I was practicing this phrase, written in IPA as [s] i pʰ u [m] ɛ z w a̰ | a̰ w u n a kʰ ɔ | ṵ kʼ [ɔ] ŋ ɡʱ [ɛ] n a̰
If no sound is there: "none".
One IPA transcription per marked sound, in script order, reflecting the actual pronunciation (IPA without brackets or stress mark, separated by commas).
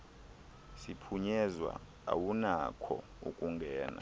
s, ɲ, u, ɛː